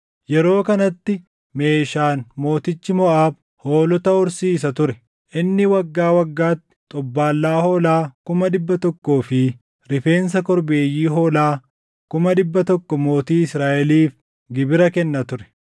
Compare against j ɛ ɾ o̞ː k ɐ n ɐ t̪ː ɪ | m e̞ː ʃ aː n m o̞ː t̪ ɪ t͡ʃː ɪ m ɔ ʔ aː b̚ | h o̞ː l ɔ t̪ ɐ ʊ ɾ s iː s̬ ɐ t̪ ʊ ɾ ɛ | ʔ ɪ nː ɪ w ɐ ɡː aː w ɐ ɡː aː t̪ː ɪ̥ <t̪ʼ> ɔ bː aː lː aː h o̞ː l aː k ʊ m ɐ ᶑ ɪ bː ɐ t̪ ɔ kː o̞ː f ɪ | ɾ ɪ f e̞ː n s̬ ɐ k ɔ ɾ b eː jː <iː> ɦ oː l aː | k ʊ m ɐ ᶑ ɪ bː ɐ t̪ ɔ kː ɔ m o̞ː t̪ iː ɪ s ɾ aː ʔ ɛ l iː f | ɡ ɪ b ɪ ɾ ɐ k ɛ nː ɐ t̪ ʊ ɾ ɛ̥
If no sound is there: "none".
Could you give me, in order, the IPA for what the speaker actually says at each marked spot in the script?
t̪ʼ, iː

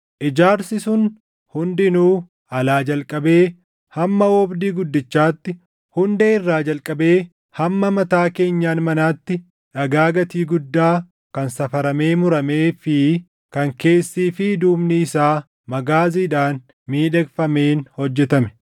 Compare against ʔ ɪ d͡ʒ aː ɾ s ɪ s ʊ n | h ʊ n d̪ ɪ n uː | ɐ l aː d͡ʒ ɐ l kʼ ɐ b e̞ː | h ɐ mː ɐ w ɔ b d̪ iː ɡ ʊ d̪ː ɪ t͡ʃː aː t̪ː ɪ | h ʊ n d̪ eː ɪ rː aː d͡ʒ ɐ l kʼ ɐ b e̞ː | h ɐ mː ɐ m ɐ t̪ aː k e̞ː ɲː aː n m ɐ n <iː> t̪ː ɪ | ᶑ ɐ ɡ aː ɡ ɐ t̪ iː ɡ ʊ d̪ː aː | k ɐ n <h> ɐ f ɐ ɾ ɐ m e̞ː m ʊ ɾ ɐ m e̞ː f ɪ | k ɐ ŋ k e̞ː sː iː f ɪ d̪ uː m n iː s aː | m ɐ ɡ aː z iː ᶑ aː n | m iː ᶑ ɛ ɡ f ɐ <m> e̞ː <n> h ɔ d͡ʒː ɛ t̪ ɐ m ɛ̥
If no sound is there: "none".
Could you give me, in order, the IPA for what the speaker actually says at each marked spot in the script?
aː, s, m, n

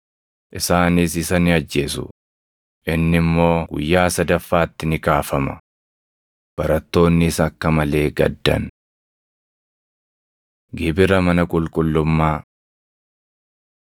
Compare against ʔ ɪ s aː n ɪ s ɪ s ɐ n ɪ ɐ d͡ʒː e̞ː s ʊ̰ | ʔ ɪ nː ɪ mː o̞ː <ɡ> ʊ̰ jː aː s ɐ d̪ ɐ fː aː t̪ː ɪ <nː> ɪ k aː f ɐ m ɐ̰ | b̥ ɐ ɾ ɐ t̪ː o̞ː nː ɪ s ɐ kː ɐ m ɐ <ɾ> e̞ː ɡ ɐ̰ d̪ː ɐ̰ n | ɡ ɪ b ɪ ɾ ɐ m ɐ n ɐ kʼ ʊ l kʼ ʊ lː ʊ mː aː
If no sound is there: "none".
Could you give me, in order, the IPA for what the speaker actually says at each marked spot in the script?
ɡ, n, l

